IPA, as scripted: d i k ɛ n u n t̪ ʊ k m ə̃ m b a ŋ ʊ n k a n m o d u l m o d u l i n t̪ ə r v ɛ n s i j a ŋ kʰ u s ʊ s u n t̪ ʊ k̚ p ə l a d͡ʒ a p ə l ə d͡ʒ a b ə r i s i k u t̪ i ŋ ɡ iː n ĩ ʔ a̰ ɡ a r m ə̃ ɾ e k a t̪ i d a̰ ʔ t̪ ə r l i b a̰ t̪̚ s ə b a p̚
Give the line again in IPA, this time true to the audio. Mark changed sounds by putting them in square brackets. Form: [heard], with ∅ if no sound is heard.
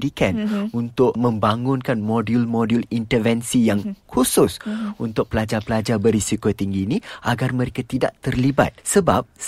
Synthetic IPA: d i k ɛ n u n t̪ ʊ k m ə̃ m b a ŋ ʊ n k a n m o d u l m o d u l i n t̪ ə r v ɛ n s i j a ŋ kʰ u s ʊ s u n t̪ ʊ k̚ p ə l a d͡ʒ a p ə l [a] d͡ʒ a b ə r i s i k [o] t̪ i ŋ ɡ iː n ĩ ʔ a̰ ɡ a r m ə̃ ɾ e k a t̪ i d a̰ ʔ t̪ ə r l i b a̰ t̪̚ s ə b a p̚